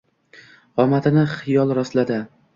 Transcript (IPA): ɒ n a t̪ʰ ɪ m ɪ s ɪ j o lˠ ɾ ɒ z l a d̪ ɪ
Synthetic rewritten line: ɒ m a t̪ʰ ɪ n ɪ χ ɪ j ɒ lˠ ɾ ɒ s l a d̪ ɪ